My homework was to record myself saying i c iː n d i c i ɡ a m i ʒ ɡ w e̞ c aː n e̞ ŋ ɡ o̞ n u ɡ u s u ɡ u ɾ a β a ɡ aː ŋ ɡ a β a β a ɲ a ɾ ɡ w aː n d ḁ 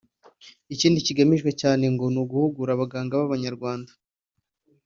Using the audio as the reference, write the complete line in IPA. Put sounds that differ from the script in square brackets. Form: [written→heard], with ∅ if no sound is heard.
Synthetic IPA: i c iː n d i c i ɡ a m i ʒ ɡ w e̞ c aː n e̞ ŋ ɡ o̞ n u ɡ u [s→h] u ɡ u ɾ a β a ɡ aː ŋ ɡ a β a β a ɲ a ɾ ɡ w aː n d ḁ

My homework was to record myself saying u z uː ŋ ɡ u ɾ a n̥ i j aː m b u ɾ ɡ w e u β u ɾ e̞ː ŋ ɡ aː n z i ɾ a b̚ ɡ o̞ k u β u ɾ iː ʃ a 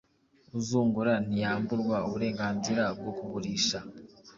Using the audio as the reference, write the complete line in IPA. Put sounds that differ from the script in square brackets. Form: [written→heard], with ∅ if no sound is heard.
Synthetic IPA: u z uː ŋ ɡ u ɾ a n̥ i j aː m b u ɾ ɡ w [e→a] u β u ɾ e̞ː ŋ ɡ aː n z i ɾ a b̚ ɡ o̞ k u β u ɾ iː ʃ a

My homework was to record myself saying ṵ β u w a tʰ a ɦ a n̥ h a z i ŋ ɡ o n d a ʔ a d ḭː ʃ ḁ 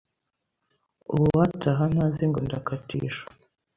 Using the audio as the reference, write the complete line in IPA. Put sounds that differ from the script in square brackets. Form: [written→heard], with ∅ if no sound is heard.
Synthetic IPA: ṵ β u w a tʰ a ɦ a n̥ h a z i ŋ ɡ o n d a [ʔ→k] a [d→t] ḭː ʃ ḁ

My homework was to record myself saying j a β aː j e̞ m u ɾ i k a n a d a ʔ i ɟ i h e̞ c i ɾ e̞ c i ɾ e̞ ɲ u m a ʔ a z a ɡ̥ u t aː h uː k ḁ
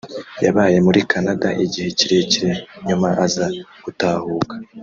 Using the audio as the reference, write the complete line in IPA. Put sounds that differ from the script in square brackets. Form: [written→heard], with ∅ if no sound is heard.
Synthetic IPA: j a β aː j e̞ m u ɾ i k a n a d a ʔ i ɟ i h e̞ c i ɾ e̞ c i ɾ e̞ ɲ u m a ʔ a z a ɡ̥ u t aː h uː k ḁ

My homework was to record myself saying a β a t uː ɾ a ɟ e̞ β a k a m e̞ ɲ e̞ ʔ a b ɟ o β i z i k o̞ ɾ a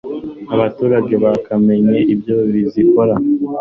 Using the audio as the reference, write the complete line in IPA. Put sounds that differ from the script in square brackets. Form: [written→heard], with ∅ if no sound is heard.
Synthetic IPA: a β a t uː ɾ a ɟ e̞ β a k a m e̞ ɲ e̞ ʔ [a→i] b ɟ o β i z i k o̞ ɾ a

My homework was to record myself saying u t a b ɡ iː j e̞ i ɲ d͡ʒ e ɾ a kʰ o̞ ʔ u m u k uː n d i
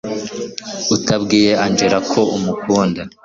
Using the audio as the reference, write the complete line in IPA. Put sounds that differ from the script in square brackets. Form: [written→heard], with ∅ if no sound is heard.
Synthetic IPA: u t a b ɡ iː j e̞ [i→a] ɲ d͡ʒ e ɾ a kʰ o̞ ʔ u m u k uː n d [i→a]

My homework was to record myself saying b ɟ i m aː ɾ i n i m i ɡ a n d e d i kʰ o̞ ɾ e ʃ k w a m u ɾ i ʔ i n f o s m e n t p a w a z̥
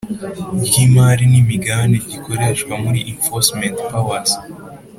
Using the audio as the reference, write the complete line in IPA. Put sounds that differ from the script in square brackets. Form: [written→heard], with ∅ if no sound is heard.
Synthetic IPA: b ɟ i m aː ɾ i n i m i ɡ a n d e [d→ɟ] i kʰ o̞ ɾ e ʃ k w a m u ɾ i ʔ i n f o s m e n t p a w a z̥

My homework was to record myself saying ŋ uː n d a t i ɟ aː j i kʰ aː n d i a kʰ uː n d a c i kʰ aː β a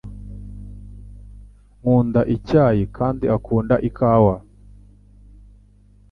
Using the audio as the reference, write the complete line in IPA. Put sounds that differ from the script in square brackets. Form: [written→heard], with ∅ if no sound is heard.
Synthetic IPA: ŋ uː n d a [t→ʔ] i [ɟ→c] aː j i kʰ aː n d i a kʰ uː n d a [c→ʔ] i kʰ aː [β→w] a

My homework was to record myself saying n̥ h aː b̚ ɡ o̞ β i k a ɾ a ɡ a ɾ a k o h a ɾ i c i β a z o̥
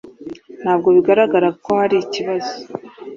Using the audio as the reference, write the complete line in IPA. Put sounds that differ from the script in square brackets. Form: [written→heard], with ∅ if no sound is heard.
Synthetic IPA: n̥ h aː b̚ ɡ o̞ β i [k→ɡ] a ɾ a ɡ a ɾ a k o h a ɾ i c i β a z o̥

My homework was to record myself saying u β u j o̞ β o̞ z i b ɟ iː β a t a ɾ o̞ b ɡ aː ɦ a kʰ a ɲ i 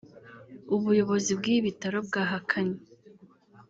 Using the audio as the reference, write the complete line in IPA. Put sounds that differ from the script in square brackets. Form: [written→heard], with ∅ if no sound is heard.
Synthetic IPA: u β u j o̞ β o̞ z i b [ɟ→ɡ] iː β [a→i] t a ɾ o̞ b ɡ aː ɦ a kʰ a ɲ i

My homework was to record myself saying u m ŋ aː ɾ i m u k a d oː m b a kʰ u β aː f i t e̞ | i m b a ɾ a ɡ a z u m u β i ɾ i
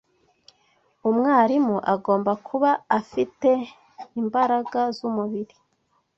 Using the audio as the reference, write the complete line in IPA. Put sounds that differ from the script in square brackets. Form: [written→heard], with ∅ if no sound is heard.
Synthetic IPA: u m ŋ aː ɾ i m u [k→ʔ] a [d→ɡ] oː m b a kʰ u β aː f i t e̞ | i m b a ɾ a ɡ a z u m u β i ɾ i

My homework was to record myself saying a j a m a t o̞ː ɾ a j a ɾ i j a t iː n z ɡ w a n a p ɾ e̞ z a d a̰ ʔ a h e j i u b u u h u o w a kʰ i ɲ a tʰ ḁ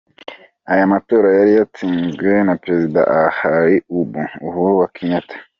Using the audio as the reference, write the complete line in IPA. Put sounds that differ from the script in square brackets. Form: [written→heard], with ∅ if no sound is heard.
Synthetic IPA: a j a m a t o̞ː ɾ a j a ɾ i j a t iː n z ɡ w [a→e] n a p ɾ e̞ z [a→i] d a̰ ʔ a h [e→a] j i u b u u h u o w a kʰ i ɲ a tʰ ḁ

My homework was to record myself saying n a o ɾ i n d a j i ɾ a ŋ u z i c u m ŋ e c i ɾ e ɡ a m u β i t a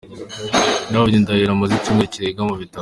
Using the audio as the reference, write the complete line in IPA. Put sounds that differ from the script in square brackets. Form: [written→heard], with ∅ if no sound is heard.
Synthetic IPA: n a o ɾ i n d a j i ɾ a [ŋ→m] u z i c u m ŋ e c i ɾ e ɡ a m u β i t a

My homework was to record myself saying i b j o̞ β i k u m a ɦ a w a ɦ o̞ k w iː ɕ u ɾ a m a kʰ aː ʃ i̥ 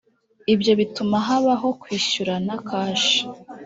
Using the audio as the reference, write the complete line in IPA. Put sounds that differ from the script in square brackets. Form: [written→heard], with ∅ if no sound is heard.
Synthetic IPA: i b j o̞ β i [k→t] u m a ɦ a [w→β] a ɦ o̞ k w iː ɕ u ɾ a [m→n] a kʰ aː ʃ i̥

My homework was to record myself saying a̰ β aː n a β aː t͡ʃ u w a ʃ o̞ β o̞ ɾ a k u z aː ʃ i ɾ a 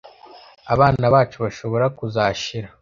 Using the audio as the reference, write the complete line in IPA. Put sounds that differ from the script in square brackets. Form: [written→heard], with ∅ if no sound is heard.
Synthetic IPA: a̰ β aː n a β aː t͡ʃ u [w→β] a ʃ o̞ β o̞ ɾ a k u z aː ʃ i ɾ a

